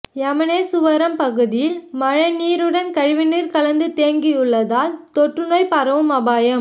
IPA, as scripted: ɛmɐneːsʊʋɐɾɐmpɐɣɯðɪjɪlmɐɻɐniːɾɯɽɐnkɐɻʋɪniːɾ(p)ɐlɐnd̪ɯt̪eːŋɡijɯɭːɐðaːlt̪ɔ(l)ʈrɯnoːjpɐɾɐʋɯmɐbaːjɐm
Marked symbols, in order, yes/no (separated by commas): no, no